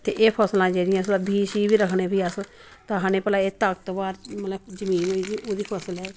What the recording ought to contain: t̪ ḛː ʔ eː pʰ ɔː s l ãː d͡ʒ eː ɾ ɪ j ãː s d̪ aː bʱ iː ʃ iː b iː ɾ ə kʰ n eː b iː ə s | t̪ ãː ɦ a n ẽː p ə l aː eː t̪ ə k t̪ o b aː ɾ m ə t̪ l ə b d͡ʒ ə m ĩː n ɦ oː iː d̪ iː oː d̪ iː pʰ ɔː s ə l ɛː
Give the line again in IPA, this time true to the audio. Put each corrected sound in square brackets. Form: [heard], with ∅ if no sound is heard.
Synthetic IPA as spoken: t̪ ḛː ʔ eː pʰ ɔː s l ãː d͡ʒ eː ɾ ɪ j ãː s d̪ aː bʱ iː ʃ iː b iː ɾ ə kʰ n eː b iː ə s | t̪ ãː ɦ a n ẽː p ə l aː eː t̪ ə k t̪ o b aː ɾ m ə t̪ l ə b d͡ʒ ə m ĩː n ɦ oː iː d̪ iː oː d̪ iː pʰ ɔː s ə l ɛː